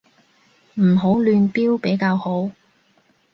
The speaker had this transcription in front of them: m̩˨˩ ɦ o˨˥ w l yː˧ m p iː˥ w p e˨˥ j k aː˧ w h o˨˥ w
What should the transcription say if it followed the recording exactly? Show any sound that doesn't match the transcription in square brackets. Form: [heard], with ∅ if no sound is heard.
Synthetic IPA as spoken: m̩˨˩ ɦ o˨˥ w l yː˧ [n] p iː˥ w p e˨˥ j k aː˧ w h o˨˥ w